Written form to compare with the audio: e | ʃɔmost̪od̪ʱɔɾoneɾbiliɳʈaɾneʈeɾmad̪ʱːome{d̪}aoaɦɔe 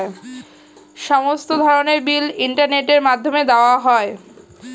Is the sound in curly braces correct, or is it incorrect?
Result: correct